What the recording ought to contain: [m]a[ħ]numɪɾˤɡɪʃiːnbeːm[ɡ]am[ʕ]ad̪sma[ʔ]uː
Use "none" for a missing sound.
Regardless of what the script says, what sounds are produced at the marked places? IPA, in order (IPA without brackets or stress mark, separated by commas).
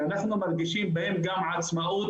n, ħ, ɡ, ʕ, ʔ